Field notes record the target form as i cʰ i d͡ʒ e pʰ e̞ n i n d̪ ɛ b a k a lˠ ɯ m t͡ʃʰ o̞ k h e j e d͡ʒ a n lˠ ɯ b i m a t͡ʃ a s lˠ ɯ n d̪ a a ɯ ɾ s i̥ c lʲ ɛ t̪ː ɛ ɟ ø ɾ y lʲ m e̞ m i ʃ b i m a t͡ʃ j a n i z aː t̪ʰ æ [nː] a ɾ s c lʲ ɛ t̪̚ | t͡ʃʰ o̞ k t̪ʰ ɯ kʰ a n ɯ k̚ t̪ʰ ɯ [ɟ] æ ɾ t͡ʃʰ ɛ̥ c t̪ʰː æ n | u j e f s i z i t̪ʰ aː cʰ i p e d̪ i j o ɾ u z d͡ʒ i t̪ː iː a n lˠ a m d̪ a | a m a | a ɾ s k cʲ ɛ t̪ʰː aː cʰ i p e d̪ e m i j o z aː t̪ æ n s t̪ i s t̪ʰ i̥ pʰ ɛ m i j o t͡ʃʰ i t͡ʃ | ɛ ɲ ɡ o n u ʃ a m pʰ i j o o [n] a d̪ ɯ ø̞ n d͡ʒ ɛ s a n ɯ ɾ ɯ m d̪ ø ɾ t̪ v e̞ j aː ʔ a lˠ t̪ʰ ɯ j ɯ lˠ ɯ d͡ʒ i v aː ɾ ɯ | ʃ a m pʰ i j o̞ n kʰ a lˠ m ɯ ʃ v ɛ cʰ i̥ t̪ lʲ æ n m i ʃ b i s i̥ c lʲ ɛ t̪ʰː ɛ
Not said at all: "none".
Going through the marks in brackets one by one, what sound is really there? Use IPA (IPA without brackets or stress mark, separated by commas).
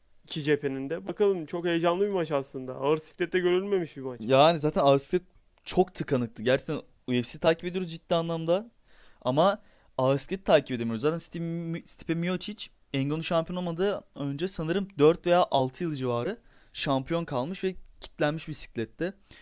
n, ɟ, m